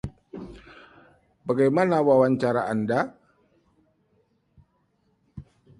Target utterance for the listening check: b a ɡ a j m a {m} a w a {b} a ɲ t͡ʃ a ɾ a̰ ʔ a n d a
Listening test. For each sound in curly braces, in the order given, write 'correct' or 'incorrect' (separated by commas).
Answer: incorrect, incorrect